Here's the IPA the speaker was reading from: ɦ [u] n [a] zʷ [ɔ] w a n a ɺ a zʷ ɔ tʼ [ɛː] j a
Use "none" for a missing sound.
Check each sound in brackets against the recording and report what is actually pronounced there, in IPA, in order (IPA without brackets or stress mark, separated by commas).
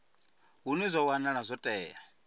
u, i, ɔ, ɛː